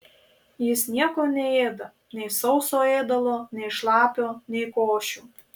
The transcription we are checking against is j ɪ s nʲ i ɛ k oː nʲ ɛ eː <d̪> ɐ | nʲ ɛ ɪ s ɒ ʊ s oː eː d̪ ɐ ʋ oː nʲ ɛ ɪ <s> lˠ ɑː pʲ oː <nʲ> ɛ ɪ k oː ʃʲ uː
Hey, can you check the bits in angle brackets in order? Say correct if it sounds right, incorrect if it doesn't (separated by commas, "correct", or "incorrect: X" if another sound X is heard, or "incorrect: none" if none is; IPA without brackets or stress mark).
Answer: correct, incorrect: ʃ, correct